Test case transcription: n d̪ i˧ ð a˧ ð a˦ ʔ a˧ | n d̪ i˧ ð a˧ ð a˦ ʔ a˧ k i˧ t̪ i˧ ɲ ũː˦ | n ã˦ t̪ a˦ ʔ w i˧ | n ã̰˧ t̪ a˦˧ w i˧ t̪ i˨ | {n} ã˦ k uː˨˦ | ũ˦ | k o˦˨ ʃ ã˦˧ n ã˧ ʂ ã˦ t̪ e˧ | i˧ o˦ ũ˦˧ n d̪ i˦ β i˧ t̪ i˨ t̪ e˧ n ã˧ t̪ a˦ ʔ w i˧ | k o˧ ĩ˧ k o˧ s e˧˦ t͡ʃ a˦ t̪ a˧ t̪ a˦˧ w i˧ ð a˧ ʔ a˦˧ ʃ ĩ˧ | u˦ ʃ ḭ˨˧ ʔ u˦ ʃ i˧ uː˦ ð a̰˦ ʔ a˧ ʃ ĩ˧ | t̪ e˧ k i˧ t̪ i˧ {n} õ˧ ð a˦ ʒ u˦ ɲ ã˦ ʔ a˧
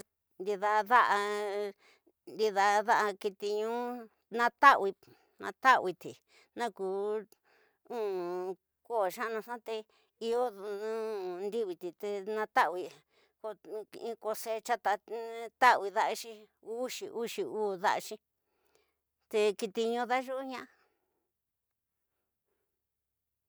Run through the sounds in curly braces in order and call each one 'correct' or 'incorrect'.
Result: correct, incorrect

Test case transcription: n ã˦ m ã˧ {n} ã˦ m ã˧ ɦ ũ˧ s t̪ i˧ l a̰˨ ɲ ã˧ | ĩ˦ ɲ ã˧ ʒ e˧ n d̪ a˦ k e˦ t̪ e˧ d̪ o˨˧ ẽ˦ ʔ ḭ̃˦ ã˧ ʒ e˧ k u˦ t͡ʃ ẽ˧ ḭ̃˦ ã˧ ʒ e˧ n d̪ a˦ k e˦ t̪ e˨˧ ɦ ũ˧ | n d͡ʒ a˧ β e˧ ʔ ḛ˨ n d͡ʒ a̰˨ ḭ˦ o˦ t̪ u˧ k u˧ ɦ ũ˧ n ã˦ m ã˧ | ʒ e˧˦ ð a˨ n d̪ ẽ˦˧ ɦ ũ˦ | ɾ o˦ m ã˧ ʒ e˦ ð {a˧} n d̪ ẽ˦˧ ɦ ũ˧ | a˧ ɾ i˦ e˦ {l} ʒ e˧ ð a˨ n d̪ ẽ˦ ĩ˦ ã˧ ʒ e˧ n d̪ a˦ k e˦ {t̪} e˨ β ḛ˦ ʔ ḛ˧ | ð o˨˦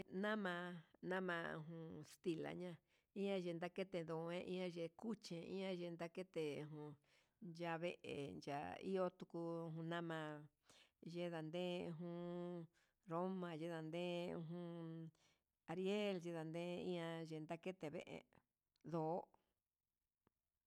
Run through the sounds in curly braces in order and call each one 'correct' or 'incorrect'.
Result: correct, correct, correct, correct

